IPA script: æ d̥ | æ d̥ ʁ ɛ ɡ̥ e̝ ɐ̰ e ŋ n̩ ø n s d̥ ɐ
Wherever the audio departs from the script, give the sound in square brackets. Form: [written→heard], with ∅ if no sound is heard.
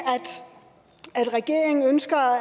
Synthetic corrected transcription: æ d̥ | æ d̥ ʁ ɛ ɡ̥ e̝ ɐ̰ e ŋ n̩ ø n s [d̥→ɡ̥] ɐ